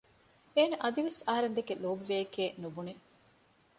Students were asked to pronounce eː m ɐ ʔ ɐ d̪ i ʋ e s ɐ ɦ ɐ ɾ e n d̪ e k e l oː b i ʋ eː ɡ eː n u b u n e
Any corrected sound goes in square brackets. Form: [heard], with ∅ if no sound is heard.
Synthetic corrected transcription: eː [n] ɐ ʔ ɐ d̪ i ʋ e s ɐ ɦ ɐ ɾ e n d̪ e k e l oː b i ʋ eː [k] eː n u b u n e